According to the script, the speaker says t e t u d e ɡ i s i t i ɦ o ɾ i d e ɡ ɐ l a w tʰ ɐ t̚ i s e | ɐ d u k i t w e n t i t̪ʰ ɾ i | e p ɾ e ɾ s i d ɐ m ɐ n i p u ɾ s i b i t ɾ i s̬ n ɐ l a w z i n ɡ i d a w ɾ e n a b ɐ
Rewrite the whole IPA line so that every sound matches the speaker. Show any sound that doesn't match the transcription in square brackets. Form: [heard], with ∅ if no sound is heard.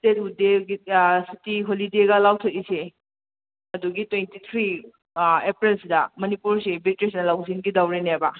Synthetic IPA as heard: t e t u d e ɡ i s i t i ɦ o [l] i d e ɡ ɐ l a w tʰ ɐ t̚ i s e | ɐ d u [ɡ] i t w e n t i t̪ʰ ɾ i | e p ɾ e [l] s i d ɐ m ɐ n i p u ɾ s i b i t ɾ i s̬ n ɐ l a w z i n ɡ i d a w ɾ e n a b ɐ